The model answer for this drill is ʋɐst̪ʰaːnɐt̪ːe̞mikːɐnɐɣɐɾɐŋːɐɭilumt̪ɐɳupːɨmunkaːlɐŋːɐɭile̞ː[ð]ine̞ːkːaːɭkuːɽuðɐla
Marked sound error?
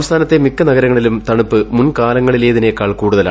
no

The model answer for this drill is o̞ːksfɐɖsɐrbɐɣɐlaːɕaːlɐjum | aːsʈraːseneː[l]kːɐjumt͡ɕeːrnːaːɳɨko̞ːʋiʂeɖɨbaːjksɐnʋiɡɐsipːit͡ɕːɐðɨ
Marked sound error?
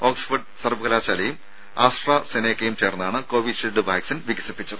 yes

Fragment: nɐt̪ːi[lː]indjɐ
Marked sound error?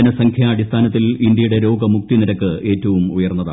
yes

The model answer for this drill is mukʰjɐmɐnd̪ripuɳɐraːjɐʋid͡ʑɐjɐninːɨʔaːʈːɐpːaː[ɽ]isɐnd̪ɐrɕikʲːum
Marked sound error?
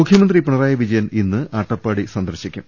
no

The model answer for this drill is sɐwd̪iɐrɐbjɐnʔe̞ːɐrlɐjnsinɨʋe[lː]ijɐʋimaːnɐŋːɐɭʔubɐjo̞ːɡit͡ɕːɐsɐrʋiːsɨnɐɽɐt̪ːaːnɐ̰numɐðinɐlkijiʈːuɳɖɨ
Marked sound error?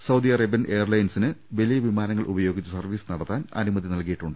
yes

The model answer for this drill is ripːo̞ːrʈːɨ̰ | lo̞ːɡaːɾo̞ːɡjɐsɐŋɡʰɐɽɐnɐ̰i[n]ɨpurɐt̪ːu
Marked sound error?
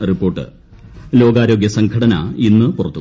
yes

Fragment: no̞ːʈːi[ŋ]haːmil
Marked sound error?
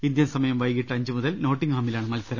no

